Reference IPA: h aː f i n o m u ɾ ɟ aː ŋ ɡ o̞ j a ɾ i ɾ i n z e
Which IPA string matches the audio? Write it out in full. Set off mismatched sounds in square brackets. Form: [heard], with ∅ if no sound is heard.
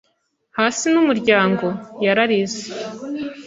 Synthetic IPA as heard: h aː [s] i n [u] m u ɾ ɟ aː ŋ ɡ o̞ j a ɾ [a] ɾ i [∅] z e